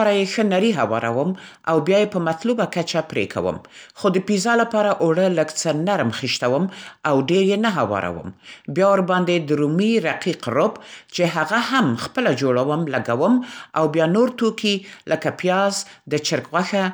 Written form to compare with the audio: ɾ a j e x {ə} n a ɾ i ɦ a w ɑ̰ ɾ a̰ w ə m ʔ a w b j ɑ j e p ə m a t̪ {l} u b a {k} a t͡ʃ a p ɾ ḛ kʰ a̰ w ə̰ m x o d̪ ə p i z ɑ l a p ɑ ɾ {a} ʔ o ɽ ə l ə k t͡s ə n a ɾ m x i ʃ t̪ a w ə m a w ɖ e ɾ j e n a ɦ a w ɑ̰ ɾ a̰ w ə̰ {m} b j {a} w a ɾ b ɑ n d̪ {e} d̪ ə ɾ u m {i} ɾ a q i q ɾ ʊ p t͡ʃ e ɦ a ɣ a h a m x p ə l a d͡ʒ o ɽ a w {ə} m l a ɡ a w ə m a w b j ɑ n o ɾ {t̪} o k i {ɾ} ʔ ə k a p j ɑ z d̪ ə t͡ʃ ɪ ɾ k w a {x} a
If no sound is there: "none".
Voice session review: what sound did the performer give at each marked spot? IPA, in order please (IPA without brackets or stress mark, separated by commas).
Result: ə, l, k, a, m, ɑ, e, i, ə, t̪, l, x